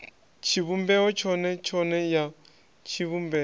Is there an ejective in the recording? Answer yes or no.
no